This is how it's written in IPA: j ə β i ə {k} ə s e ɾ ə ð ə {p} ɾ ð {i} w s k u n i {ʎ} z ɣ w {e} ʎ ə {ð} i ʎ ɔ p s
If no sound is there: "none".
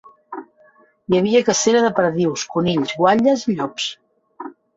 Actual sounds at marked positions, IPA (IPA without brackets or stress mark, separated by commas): k, p, i, ʎ, a, z